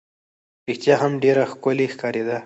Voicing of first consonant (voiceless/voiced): voiced